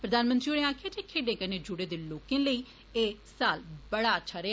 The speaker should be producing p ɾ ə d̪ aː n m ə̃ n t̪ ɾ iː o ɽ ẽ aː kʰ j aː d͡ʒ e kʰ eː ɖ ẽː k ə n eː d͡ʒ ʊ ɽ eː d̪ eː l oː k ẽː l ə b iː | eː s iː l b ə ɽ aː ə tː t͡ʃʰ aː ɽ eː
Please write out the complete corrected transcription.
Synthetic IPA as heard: p ɾ ə d̪ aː n m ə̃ n t̪ ɾ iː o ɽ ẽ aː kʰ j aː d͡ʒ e kʰ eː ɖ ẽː k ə n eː d͡ʒ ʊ ɽ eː d̪ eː l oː k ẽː l ə iː | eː s aː l b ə ɽ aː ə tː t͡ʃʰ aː ɾ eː